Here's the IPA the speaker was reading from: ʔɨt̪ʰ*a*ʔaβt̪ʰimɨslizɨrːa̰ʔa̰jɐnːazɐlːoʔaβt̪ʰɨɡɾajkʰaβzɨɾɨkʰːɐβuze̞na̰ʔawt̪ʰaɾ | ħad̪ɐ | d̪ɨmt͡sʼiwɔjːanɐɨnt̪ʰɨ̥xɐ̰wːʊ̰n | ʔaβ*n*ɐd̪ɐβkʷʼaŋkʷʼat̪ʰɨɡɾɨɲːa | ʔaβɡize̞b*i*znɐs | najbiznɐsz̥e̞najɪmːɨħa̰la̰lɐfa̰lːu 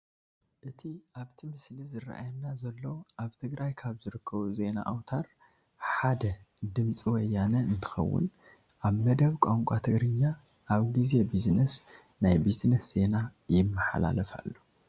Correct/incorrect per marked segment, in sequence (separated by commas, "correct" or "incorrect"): incorrect, incorrect, correct